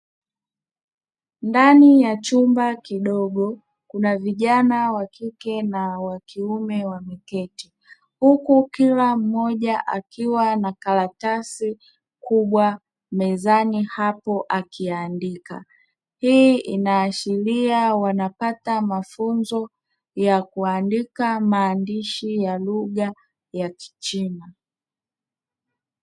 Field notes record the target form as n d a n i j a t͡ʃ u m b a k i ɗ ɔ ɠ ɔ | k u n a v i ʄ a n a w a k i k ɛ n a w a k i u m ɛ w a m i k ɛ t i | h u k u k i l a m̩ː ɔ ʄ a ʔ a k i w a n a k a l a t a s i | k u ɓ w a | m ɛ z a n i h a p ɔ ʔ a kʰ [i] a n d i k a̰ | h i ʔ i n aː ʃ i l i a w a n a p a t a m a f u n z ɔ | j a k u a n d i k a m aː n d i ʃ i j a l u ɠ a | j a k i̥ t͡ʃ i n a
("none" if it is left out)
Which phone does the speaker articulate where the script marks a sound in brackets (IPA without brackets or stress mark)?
i